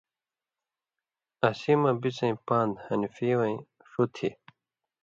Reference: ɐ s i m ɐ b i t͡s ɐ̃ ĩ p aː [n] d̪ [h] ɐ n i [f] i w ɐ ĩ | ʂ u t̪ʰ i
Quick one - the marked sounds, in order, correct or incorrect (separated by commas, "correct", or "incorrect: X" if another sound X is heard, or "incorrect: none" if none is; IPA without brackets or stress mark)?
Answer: correct, correct, correct